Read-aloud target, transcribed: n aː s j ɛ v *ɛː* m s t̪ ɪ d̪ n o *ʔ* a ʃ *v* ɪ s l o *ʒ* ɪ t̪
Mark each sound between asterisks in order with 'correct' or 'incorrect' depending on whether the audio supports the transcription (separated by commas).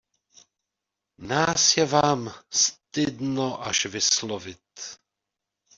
incorrect, correct, correct, incorrect